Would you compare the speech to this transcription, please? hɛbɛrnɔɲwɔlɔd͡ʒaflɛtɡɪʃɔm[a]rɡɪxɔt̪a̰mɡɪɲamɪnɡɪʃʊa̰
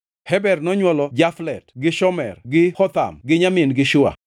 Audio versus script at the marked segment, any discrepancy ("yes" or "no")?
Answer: yes